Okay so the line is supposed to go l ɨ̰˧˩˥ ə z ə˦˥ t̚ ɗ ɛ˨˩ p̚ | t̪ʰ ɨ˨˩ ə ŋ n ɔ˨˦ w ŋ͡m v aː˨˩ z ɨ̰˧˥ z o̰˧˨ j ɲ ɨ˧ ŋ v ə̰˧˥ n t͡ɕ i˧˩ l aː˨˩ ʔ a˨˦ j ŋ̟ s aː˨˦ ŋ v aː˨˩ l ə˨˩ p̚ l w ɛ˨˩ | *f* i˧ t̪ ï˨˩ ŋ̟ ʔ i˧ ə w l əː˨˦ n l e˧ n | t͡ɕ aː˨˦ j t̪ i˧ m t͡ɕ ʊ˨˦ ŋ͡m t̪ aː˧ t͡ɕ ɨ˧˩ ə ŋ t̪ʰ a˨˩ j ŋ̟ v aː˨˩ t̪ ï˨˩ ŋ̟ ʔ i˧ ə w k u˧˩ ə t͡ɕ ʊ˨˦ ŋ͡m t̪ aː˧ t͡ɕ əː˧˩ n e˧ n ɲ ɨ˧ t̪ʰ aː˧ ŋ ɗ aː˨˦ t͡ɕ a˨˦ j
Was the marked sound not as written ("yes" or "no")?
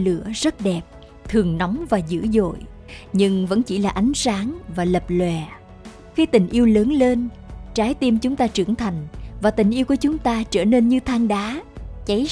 yes